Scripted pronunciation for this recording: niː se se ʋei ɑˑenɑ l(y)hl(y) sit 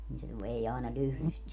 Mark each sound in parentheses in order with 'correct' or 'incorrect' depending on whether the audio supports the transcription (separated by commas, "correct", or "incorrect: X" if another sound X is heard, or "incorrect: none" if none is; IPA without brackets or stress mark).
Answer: correct, correct